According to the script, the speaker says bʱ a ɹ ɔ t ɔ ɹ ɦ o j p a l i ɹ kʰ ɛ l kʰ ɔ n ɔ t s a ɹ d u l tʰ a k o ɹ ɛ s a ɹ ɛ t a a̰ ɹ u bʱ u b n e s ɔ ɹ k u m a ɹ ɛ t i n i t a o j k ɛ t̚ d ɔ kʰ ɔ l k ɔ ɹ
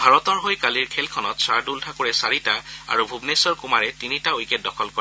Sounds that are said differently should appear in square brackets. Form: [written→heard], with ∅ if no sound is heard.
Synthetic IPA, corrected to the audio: bʱ a ɹ ɔ t ɔ ɹ ɦ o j [p→k] a l i ɹ kʰ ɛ l kʰ ɔ n ɔ t s a ɹ d u l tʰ a k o ɹ ɛ s a ɹ [ɛ→i] t a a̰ ɹ u bʱ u b n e s ɔ ɹ k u m a ɹ ɛ t i n i t a o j k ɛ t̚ d ɔ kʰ ɔ l k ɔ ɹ